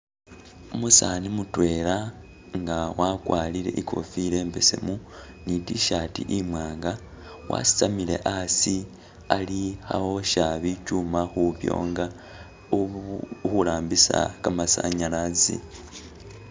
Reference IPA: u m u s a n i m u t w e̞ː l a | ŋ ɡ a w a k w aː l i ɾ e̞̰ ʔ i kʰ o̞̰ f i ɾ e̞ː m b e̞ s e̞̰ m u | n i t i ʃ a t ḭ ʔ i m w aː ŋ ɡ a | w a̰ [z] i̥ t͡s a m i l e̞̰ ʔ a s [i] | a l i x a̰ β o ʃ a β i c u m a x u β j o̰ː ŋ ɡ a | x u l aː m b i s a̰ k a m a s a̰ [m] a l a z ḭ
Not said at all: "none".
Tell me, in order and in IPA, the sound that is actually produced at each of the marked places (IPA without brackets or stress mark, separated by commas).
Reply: s, i, ɲ